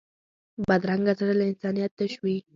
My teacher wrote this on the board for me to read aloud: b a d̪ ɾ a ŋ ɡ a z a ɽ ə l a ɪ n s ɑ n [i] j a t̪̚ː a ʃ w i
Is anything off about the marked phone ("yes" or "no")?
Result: no